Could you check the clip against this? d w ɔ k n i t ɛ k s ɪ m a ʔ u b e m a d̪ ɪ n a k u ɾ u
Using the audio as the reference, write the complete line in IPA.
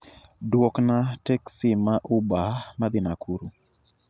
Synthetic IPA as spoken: d w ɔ k n a t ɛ k s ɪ m a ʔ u b a m a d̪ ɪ n a k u ɾ u